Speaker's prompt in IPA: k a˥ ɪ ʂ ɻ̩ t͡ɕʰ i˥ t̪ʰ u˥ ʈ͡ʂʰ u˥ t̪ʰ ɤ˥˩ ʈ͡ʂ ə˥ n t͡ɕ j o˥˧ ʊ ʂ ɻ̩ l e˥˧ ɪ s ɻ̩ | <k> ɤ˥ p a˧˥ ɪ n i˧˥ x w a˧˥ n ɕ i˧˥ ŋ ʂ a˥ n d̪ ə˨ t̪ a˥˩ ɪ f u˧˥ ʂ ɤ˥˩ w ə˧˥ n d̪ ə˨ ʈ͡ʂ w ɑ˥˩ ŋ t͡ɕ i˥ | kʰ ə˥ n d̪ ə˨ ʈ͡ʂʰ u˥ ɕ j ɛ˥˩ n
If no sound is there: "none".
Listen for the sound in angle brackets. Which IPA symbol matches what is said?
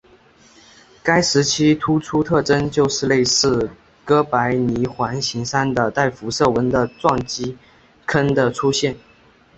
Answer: k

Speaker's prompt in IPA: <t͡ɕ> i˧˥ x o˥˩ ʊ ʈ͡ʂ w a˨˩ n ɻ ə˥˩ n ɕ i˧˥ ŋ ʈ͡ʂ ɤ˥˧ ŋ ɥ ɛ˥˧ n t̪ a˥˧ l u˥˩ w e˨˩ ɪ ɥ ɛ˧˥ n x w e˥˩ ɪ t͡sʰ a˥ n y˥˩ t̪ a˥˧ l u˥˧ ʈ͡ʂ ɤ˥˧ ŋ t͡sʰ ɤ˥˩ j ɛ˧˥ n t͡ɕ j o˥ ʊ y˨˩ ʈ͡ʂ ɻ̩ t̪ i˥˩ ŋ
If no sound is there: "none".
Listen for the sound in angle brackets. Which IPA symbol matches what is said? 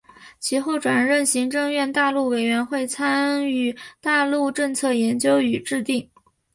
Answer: t͡ɕʰ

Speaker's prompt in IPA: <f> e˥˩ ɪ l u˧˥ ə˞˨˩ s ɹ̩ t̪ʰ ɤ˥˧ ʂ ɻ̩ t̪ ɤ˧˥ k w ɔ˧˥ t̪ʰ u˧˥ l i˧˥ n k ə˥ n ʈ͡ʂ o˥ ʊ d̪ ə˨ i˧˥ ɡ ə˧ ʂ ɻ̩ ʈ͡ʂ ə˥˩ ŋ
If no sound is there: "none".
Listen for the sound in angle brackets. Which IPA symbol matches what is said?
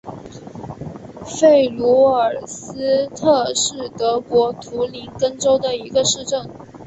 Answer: f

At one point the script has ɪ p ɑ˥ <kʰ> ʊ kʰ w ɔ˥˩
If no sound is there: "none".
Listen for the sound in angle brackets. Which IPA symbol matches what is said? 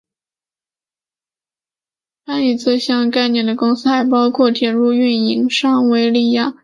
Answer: none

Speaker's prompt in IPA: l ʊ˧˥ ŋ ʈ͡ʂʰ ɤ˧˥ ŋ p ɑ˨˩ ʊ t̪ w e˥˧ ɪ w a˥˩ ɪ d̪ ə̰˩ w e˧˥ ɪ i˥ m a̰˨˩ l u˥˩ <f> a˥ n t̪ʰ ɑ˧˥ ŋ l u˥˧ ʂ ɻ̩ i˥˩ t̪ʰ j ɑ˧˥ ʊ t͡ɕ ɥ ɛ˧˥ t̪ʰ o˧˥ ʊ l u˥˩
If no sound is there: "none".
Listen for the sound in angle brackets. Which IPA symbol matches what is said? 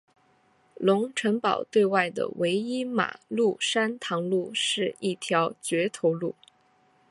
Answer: ʂ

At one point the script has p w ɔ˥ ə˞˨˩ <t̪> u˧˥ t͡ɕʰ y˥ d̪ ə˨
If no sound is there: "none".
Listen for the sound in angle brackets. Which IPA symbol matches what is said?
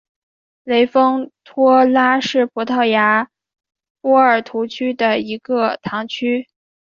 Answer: t̪ʰ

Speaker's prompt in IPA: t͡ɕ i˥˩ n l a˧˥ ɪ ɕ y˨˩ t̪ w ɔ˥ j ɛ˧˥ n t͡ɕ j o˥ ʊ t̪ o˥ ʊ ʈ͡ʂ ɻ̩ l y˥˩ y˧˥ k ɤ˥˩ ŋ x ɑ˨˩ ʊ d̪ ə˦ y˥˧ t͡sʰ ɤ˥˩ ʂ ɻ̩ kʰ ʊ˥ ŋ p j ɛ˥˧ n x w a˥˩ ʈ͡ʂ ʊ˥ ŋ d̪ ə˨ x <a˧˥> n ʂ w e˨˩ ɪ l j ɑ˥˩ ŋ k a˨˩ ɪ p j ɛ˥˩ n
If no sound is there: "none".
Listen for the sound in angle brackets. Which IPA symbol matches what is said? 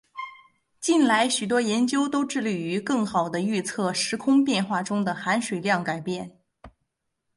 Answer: a˧˥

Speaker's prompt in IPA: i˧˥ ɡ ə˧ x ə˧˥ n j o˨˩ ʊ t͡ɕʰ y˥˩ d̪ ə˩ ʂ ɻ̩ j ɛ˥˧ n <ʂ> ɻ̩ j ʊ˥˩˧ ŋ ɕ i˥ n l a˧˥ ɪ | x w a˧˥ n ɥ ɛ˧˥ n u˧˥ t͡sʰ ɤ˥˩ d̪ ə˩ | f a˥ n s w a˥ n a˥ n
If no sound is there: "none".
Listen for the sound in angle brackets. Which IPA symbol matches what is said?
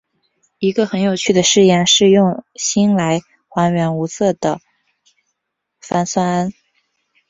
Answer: ʂ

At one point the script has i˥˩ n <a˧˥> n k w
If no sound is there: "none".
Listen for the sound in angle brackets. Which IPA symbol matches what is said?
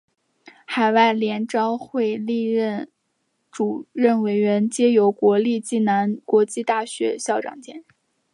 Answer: a˧˥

